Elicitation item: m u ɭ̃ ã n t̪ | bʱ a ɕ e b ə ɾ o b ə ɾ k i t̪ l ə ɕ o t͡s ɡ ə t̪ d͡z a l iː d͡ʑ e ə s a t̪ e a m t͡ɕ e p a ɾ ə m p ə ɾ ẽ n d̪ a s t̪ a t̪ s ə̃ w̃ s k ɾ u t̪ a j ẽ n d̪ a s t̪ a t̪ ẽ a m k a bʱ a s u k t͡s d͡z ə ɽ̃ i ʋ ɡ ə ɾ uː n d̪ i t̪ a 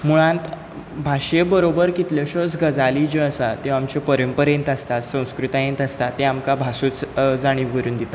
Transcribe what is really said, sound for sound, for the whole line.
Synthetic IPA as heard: m u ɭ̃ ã n t̪ | bʱ a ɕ e b ə ɾ o b ə ɾ k i t̪ l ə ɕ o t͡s ɡ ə d͡z a l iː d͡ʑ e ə s a t̪ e a m t͡ɕ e p ə ɾ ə m p ə ɾ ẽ n t̪ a s t̪ a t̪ s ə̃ w̃ s k ɾ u t̪ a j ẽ n t̪ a s t̪ a t̪ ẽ a m k a bʱ a s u t͡s d͡z a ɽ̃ i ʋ ɡ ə ɾ uː n d̪ i t̪ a